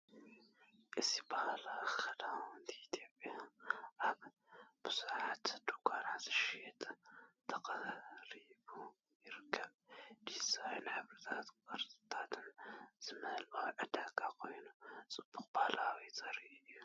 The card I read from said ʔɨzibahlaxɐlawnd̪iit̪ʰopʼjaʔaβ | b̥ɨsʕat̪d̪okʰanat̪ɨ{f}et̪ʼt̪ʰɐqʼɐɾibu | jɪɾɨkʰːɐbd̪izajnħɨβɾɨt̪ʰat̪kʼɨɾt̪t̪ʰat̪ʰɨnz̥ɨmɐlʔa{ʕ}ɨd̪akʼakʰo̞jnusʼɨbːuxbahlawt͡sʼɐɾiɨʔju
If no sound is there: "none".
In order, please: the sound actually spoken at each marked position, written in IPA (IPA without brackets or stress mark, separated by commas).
ʃ, ʕ